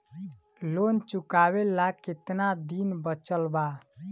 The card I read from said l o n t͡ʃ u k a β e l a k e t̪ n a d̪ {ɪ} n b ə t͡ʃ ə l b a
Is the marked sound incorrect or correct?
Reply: incorrect